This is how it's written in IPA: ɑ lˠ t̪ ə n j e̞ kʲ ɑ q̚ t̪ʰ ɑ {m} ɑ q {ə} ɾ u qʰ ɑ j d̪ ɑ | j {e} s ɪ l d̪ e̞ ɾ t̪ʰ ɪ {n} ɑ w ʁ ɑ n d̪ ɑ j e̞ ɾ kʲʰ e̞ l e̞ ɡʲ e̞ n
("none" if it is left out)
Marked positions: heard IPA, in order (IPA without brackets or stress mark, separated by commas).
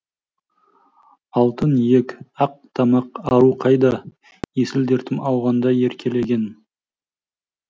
m, ɑ, e, m